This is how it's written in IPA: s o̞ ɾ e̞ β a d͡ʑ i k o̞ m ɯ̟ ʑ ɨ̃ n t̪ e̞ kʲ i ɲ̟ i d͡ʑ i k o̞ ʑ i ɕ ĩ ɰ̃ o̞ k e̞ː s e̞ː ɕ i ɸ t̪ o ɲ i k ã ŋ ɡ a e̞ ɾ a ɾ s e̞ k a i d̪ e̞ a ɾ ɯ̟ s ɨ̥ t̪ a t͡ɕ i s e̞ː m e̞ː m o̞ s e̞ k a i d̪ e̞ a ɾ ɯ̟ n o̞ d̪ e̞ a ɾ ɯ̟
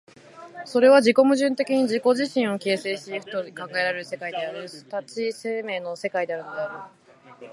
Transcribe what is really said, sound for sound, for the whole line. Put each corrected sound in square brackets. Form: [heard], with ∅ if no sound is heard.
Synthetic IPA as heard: s o̞ ɾ e̞ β a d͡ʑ i k o̞ m ɯ̟ ʑ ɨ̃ n t̪ e̞ kʲ i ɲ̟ i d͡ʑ i k o̞ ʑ i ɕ ĩ ɰ̃ o̞ k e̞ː s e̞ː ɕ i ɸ t̪ o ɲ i k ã ŋ ɡ a e̞ ɾ a ɾ s e̞ k a i d̪ e̞ a ɾ ɯ̟ s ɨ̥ t̪ a t͡ɕ i s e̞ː m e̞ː [n] o̞ s e̞ k a i d̪ e̞ a ɾ ɯ̟ n o̞ d̪ e̞ a ɾ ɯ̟

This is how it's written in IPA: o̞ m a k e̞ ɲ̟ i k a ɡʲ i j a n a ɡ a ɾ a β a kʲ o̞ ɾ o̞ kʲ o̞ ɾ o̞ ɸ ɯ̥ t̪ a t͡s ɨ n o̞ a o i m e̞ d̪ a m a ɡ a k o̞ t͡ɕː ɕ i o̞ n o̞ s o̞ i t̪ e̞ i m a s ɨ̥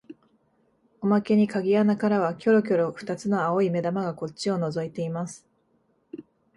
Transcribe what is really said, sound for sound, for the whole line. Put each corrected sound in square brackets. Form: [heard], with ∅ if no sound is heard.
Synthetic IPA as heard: o̞ m a k e̞ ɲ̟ i k a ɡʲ i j a n a [k] a ɾ a β a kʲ o̞ ɾ o̞ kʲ o̞ ɾ o̞ ɸ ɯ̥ t̪ a t͡s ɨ n o̞ a o i m e̞ d̪ a m a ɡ a k o̞ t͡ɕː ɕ i o̞ n o̞ [z] o̞ i t̪ e̞ i m a s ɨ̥

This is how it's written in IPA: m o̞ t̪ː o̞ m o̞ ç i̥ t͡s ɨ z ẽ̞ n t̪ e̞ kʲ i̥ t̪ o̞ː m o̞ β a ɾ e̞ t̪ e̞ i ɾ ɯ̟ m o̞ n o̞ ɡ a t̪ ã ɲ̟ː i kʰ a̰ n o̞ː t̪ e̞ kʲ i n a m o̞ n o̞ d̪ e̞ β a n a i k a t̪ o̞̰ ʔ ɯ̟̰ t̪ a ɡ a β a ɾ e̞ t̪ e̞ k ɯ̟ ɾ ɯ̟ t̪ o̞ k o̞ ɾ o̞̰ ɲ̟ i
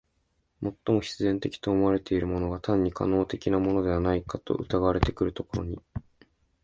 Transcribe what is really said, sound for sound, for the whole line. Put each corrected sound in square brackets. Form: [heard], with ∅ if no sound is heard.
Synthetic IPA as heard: m o̞ t̪ː o̞ m o̞ ç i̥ t͡s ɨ z ẽ̞ n t̪ e̞ kʲ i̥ t̪ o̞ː m o̞ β a ɾ e̞ t̪ e̞ i ɾ ɯ̟ m o̞ n o̞ ɡ a t̪ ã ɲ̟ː i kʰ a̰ n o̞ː t̪ e̞ kʲ i n a m o̞ n o̞ d̪ e̞ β a n a i k a t̪ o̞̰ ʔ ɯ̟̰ t̪ a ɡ a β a ɾ e̞ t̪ e̞ k ɯ̟ ɾ ɯ̟ t̪ o̞ k o̞ ɾ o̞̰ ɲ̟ i

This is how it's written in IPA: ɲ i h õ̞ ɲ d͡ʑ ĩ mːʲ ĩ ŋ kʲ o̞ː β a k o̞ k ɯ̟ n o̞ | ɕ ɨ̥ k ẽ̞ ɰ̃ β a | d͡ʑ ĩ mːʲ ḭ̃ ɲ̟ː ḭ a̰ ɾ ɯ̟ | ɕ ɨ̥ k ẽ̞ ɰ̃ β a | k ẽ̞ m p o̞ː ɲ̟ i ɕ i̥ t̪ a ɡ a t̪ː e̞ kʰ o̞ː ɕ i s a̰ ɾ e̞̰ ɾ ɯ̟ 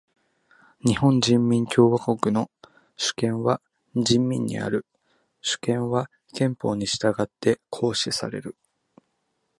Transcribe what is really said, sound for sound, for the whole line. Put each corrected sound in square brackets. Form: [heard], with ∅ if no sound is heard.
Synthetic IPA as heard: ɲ i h õ̞ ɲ d͡ʑ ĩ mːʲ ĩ ŋ kʲ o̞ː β a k o̞ k ɯ̟ n o̞ | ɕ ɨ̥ k ẽ̞ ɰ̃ β a | d͡ʑ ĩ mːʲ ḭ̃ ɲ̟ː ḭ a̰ ɾ ɯ̟ | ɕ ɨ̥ k ẽ̞ ɰ̃ β a | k ẽ̞ m p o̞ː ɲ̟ i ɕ i̥ t̪ a ɡ a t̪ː e̞ kʰ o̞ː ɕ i s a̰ ɾ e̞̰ ɾ ɯ̟

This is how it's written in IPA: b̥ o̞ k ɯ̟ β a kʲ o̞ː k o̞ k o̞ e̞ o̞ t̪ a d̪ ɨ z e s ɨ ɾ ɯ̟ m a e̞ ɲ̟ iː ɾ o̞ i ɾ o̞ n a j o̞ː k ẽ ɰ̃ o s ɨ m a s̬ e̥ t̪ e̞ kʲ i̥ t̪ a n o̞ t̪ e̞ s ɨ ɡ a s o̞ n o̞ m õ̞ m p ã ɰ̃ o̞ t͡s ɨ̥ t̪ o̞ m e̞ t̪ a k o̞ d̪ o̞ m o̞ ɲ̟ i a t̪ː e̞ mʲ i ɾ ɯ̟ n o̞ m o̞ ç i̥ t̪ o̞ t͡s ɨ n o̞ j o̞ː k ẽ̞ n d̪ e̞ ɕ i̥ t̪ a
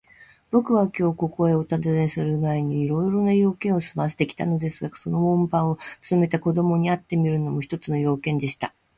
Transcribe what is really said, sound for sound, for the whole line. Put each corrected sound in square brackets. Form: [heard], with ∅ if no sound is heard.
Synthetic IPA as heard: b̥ o̞ k ɯ̟ β a kʲ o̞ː k o̞ k o̞ e̞ o̞ t̪ a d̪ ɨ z e s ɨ ɾ ɯ̟ m a e̞ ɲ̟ iː ɾ o̞ i ɾ o̞ n a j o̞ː k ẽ ɰ̃ o s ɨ m a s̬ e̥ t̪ e̞ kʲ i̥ t̪ a n o̞ [d̪] e̞ s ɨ ɡ a s o̞ n o̞ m õ̞ m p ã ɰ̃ o̞ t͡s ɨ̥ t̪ o̞ m e̞ t̪ a k o̞ d̪ o̞ m o̞ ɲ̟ i a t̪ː e̞ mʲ i ɾ ɯ̟ n o̞ m o̞ ç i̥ t̪ o̞ t͡s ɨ n o̞ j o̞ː k ẽ̞ n d̪ e̞ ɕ i̥ t̪ a

